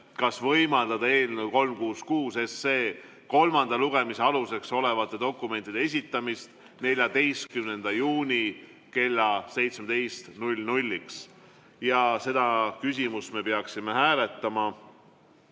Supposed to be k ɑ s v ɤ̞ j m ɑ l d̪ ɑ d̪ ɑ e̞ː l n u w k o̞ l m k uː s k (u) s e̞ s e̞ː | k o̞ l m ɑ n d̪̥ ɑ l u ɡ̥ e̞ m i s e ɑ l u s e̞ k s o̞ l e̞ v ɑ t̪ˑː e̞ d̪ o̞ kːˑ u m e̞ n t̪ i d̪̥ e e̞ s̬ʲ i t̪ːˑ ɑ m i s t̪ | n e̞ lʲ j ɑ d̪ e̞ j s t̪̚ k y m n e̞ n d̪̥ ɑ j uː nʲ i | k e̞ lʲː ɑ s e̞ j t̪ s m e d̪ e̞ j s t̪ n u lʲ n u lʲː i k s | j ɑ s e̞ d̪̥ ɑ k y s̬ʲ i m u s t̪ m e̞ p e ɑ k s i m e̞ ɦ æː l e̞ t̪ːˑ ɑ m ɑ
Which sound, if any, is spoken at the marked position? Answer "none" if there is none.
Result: uː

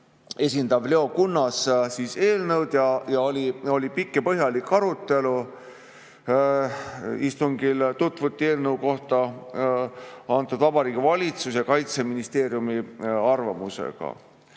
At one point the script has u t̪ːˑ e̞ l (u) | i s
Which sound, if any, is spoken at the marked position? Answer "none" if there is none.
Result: u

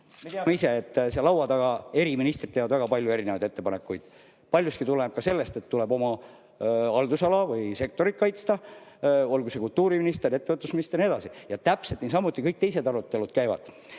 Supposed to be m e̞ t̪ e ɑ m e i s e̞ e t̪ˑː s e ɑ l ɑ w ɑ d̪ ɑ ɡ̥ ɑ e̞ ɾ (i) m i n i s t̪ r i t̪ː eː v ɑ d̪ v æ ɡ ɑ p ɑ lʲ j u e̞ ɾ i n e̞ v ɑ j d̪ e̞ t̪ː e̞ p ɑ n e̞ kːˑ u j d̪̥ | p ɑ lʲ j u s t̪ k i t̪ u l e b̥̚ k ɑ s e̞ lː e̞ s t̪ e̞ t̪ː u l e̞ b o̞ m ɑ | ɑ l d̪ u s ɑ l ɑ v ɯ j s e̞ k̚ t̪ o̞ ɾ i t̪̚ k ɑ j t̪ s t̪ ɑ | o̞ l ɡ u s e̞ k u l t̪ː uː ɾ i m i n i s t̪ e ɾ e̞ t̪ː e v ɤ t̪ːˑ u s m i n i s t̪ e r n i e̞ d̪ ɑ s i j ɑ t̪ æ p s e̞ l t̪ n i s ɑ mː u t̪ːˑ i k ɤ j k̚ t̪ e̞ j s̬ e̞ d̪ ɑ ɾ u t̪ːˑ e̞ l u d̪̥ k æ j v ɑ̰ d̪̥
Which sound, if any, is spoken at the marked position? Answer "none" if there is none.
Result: i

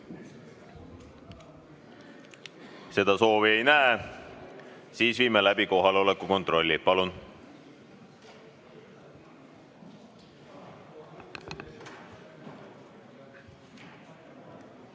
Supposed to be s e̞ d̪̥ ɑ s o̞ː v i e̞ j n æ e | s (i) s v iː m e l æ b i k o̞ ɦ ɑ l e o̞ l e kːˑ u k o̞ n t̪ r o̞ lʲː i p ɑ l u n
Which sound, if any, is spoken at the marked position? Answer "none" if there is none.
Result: iː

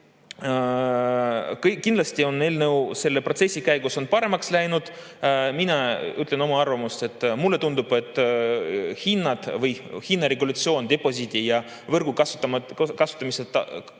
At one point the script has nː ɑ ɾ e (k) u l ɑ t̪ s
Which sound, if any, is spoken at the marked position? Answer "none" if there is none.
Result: ɡ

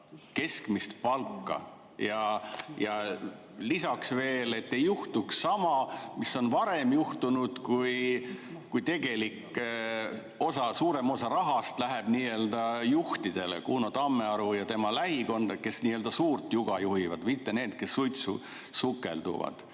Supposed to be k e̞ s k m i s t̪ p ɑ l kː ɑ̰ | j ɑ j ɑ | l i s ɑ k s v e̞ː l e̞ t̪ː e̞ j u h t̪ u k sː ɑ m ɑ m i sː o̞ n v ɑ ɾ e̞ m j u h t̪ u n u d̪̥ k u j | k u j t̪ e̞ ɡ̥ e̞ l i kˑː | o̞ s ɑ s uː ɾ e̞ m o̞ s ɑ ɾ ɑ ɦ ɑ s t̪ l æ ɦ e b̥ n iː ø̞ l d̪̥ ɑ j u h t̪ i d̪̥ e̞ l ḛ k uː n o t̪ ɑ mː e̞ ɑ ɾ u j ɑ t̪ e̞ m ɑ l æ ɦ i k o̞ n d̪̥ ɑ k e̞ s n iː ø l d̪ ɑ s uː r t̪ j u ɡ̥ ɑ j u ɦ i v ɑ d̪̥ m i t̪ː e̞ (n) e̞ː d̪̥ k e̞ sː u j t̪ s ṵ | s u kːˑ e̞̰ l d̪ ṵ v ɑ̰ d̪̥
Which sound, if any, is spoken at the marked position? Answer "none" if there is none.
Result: n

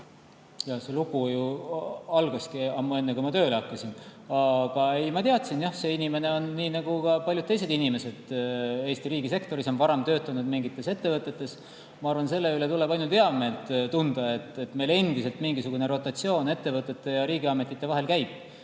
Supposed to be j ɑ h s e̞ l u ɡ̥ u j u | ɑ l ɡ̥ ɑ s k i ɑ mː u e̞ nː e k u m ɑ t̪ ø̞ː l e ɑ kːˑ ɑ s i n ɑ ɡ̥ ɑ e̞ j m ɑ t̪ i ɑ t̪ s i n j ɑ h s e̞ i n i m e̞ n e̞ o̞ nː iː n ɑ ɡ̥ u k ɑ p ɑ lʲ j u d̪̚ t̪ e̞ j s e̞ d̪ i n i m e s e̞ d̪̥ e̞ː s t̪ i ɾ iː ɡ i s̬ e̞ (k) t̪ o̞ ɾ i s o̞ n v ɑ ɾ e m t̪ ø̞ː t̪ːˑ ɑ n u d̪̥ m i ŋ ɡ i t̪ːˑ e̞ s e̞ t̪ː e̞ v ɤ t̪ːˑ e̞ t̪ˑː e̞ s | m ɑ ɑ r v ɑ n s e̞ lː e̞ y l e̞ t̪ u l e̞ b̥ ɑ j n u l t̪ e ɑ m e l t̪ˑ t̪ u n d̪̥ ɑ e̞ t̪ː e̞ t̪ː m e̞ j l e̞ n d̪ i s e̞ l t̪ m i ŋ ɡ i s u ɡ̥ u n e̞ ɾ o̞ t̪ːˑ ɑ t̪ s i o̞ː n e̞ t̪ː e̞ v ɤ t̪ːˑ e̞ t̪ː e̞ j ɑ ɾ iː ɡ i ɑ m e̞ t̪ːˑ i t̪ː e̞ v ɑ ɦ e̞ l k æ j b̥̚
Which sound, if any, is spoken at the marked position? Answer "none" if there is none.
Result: k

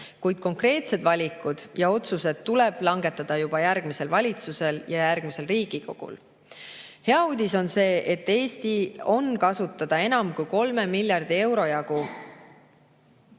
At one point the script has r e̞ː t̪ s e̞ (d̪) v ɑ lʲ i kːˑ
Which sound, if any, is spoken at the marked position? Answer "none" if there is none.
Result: d̪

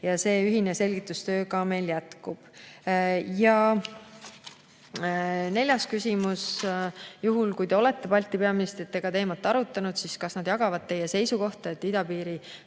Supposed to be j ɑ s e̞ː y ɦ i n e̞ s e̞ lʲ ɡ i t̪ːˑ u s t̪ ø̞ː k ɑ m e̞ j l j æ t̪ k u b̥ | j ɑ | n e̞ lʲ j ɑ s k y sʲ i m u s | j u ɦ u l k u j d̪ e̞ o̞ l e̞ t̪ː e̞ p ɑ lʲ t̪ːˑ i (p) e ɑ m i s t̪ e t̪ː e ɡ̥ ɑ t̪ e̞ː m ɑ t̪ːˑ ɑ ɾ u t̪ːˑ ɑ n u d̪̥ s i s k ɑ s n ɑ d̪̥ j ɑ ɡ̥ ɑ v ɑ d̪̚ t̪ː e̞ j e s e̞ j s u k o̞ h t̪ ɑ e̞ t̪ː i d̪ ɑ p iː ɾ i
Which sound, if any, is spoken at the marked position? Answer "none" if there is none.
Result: p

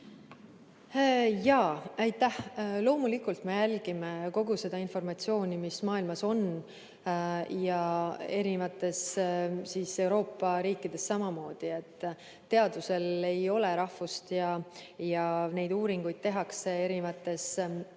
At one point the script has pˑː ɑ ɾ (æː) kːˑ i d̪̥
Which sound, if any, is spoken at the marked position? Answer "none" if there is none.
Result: iː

